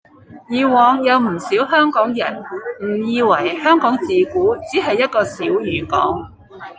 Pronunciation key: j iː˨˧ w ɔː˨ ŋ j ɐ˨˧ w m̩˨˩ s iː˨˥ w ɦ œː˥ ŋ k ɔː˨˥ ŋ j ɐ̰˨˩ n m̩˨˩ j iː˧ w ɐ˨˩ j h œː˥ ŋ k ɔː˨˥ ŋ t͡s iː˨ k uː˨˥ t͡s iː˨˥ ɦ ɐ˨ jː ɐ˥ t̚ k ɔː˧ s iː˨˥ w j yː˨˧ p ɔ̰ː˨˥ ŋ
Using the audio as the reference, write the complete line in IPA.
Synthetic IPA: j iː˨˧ w ɔː˨ ŋ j ɐ˨˧ w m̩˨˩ s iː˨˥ w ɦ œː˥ ŋ k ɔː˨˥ ŋ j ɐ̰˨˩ n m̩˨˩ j iː˧ w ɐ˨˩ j h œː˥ ŋ k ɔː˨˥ ŋ t͡s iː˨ k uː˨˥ t͡s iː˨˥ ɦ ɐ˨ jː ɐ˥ t̚ k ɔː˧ s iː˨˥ w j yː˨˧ k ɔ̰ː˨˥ ŋ